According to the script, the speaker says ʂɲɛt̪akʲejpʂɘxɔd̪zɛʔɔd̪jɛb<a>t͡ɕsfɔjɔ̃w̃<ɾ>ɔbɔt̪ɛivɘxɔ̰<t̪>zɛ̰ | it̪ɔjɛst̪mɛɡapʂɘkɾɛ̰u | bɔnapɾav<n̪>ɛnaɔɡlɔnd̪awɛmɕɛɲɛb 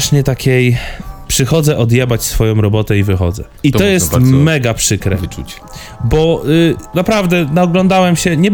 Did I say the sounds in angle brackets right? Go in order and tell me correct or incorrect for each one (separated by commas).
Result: correct, correct, incorrect, incorrect